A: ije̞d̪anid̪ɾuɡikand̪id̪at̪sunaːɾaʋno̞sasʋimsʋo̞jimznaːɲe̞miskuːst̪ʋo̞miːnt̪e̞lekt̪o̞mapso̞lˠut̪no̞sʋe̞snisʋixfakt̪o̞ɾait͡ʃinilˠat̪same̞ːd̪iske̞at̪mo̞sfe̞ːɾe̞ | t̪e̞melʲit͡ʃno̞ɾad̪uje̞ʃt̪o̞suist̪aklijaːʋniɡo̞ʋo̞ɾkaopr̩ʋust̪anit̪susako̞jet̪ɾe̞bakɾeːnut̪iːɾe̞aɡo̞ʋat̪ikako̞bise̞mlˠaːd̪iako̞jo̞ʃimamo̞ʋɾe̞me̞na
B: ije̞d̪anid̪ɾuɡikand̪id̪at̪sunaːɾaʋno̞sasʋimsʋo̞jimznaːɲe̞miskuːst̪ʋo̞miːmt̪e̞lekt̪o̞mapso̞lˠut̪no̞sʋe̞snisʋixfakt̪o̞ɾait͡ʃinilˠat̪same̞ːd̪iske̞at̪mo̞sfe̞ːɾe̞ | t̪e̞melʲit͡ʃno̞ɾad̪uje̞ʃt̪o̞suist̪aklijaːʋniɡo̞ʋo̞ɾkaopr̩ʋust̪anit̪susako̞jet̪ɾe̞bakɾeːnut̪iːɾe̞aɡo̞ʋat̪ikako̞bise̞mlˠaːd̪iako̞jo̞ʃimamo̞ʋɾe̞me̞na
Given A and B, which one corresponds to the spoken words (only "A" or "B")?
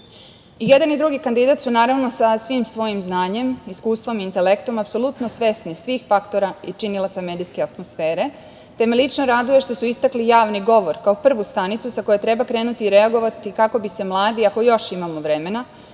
A